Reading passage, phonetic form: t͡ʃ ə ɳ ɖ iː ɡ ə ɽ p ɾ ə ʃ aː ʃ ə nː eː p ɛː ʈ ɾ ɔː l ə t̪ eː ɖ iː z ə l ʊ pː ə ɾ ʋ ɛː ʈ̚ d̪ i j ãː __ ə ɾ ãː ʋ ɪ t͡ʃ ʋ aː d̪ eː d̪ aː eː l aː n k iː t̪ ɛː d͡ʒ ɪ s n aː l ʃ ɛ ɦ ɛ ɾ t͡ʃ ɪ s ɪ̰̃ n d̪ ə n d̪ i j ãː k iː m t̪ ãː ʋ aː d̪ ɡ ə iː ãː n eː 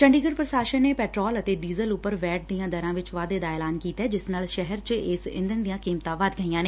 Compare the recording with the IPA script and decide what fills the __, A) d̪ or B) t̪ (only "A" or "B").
A